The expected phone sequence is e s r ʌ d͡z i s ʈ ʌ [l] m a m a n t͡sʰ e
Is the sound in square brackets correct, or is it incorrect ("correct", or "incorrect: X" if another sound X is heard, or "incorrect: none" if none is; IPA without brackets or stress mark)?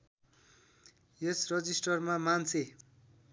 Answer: incorrect: r